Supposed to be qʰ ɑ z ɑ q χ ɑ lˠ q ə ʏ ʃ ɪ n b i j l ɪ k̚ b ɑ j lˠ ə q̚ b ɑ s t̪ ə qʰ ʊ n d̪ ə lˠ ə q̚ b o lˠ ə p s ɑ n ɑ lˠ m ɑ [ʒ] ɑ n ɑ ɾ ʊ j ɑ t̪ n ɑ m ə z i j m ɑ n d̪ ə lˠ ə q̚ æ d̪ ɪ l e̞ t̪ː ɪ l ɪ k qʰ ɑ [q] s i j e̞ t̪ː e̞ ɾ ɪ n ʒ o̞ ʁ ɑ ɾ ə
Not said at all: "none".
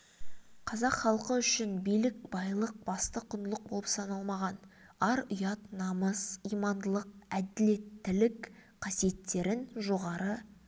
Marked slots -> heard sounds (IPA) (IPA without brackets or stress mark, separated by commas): ʁ, none